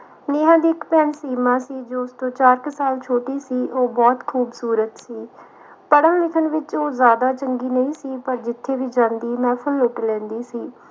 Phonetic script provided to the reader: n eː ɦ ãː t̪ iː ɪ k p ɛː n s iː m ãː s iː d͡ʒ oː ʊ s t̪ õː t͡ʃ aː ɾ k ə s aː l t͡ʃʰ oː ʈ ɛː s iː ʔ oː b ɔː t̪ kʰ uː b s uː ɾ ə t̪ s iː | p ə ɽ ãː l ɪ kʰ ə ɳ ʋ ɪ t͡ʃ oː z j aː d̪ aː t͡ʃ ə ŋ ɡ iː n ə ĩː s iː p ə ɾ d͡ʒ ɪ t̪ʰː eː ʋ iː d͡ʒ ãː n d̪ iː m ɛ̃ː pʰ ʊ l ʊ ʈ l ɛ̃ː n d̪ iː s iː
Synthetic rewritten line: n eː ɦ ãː d̪ iː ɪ k p ɛː n s iː m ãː s iː d͡ʒ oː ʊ s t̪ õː t͡ʃ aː ɾ k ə s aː l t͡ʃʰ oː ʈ iː s iː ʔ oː b ɔː t̪ kʰ uː b s uː ɾ ə t̪ s iː | p ə ɽ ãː l ɪ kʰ ə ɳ ʋ ɪ t͡ʃ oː z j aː d̪ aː t͡ʃ ə ŋ ɡ iː n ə ĩː s iː p ə ɾ d͡ʒ ɪ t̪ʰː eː ʋ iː d͡ʒ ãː n d̪ iː m ɛ̃ː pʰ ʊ l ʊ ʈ l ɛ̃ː n d̪ iː s iː